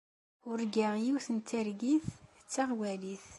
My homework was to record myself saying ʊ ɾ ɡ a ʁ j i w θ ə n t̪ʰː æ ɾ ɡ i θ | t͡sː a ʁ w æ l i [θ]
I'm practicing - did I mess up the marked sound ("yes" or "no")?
no